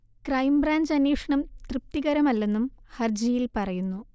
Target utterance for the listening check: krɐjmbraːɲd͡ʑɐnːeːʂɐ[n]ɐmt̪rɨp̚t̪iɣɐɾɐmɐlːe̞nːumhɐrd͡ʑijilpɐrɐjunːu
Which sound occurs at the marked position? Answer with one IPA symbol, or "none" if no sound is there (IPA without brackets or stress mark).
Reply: ɳ